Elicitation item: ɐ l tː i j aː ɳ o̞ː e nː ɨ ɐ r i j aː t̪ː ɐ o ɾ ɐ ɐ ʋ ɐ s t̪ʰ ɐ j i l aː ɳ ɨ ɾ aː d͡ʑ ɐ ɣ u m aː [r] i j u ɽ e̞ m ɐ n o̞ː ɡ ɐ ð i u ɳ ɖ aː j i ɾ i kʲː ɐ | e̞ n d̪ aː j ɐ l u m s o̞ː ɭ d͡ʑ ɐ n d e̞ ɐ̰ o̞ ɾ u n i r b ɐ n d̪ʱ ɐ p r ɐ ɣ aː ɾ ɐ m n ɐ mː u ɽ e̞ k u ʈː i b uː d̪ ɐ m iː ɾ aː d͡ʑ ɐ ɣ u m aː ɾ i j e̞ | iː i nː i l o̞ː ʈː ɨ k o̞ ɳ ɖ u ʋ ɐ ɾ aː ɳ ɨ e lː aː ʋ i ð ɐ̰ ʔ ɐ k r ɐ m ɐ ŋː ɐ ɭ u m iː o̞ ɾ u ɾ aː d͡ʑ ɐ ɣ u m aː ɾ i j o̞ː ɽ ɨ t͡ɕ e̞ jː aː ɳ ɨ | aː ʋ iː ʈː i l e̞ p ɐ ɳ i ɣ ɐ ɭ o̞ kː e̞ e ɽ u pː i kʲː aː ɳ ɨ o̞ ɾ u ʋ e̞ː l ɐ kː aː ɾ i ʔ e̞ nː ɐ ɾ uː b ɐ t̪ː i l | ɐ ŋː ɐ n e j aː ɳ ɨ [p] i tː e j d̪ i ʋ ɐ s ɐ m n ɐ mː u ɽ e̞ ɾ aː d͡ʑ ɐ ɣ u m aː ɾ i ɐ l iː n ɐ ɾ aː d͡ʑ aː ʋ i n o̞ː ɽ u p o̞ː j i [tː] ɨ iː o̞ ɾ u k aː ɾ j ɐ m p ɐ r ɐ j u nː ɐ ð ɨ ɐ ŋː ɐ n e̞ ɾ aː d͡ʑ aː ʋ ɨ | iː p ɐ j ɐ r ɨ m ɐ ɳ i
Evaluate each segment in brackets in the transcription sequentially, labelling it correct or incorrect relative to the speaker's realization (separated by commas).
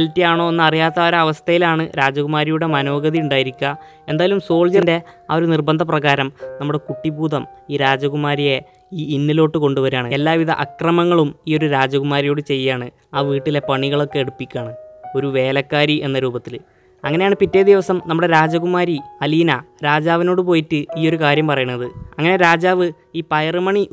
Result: incorrect, correct, correct